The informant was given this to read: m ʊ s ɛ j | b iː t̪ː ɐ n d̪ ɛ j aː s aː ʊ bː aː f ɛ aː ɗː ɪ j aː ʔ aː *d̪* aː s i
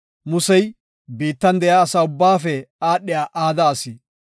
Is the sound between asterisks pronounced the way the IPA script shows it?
yes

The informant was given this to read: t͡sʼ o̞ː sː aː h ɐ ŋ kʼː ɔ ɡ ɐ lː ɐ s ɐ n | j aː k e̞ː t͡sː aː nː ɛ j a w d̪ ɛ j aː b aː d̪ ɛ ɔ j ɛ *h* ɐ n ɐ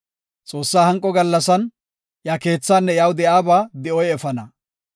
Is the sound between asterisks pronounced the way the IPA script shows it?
no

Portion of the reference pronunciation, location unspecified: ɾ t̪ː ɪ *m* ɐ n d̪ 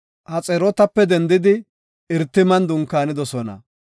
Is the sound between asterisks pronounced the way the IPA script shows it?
yes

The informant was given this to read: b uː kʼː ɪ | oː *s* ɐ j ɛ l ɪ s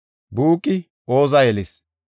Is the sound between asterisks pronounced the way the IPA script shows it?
no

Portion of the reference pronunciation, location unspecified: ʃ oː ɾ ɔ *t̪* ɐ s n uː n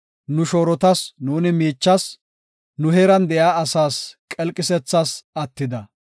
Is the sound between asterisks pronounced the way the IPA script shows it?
yes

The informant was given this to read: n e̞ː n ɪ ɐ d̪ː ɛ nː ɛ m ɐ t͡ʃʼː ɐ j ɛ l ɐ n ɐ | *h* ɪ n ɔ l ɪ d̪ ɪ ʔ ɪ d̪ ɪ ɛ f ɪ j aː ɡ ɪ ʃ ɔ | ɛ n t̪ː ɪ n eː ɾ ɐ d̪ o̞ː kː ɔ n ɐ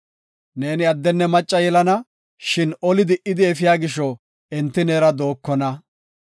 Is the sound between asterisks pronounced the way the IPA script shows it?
no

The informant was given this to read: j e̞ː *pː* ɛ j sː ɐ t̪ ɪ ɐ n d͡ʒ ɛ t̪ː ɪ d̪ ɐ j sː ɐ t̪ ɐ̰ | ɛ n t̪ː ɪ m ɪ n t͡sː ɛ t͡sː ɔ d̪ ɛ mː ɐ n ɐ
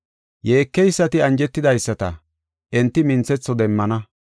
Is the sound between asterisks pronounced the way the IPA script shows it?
no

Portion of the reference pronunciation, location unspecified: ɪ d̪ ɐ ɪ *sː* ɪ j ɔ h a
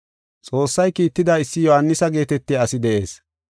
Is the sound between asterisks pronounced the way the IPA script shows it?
yes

